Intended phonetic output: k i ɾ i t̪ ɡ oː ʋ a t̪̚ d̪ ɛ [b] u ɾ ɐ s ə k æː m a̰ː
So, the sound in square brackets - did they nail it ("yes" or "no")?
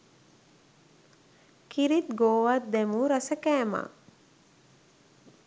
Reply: no